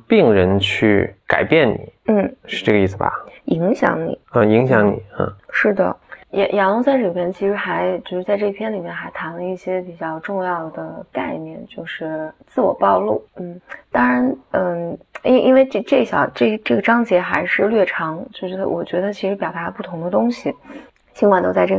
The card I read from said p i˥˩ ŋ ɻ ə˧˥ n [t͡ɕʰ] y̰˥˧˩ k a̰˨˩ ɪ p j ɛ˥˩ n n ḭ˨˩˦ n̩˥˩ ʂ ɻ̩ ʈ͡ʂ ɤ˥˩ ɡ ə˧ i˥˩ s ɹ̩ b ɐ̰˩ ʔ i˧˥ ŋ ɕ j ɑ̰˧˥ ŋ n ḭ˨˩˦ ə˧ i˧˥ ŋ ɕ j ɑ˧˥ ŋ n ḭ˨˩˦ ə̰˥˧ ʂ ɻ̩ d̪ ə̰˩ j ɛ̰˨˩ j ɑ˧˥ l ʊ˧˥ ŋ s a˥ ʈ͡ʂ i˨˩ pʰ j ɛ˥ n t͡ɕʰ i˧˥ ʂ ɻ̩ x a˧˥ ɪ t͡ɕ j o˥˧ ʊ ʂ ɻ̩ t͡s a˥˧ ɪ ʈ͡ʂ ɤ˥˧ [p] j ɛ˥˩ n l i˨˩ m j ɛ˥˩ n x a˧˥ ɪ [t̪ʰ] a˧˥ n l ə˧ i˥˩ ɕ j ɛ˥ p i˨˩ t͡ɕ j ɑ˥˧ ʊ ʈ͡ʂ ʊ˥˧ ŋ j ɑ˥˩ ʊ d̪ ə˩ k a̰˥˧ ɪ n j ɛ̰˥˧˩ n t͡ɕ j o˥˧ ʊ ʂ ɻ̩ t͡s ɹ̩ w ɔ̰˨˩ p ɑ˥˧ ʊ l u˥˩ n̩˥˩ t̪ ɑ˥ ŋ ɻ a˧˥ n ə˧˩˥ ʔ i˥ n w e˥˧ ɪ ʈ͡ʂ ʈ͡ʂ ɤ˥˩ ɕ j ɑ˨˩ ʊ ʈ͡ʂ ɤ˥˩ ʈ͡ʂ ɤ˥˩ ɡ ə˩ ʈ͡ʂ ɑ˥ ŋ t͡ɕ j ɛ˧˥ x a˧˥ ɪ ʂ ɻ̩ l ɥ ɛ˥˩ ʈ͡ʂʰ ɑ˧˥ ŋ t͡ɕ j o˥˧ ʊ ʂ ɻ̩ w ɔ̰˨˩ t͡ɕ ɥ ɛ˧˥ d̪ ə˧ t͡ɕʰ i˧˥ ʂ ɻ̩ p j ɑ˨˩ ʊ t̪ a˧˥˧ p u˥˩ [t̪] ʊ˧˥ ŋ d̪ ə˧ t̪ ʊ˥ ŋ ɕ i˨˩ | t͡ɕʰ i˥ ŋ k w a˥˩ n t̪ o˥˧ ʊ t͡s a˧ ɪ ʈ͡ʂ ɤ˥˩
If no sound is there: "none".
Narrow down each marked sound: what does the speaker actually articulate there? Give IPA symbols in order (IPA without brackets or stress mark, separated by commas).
t͡ɕʰ, pʰ, t̪ʰ, t̪ʰ